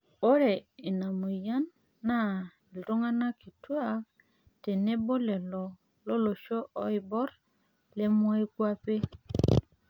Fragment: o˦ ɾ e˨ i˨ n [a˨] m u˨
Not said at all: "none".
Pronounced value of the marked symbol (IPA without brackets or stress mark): a˨